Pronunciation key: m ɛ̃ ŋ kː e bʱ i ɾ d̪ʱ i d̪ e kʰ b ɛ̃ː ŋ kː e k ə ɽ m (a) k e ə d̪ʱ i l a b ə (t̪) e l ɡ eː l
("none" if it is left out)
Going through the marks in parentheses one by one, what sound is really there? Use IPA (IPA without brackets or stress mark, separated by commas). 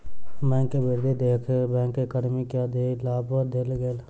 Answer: i, d̪